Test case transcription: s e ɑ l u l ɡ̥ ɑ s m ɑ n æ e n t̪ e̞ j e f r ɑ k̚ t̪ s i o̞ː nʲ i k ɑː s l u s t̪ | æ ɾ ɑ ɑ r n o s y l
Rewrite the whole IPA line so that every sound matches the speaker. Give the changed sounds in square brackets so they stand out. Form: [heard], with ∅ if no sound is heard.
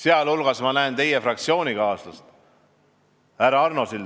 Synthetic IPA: s e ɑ l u l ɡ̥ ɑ s m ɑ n æ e n t̪ e̞ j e f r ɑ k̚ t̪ s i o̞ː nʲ i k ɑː s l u s t̪ | æ ɾ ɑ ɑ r n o s [i] l